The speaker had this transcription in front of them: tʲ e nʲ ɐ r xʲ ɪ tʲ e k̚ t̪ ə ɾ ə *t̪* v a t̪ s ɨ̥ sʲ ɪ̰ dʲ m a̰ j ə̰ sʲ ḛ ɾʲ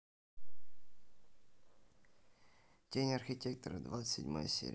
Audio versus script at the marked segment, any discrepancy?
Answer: yes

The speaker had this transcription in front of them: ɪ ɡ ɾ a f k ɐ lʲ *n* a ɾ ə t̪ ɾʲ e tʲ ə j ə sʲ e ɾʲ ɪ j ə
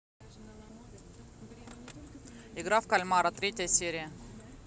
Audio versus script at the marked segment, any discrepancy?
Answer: yes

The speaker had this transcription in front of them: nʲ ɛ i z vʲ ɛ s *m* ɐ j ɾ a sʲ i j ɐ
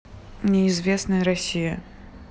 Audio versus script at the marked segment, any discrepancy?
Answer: yes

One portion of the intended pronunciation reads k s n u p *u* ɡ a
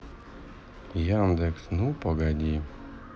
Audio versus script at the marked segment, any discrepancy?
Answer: yes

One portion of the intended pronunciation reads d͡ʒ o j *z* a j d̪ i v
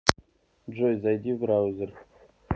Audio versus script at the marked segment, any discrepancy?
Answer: no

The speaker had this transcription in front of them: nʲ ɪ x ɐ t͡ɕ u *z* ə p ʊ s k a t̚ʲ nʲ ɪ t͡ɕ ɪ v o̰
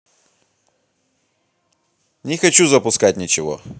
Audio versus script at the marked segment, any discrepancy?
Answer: no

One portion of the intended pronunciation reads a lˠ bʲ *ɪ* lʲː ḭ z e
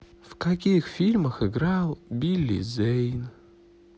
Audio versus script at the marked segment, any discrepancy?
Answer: yes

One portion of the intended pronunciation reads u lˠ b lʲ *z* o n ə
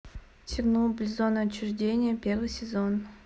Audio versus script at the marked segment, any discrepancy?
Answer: no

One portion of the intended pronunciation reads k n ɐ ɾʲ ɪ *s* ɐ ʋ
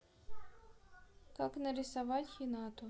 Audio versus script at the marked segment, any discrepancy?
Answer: no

